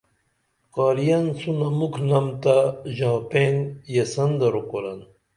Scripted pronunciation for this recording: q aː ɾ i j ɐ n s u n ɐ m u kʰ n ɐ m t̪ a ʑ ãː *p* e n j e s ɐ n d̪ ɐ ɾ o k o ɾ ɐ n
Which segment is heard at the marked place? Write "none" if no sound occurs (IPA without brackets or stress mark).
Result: p